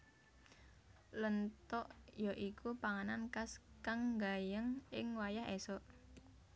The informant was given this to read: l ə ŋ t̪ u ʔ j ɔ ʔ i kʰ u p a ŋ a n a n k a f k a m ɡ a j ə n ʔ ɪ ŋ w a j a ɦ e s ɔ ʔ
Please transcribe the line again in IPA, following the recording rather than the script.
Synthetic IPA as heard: l ə n t̪ ɔ ʔ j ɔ ʔ i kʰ u p a ŋ a n a n k a s k a ŋ ɡ a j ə ŋ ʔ ɪ ŋ w a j a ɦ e s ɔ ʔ